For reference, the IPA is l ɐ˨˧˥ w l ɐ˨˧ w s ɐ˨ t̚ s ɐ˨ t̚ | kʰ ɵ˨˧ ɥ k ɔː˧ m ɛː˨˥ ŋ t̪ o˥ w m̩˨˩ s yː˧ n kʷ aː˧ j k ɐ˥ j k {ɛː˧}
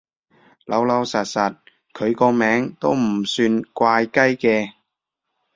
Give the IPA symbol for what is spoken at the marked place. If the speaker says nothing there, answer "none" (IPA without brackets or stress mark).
ɛː˧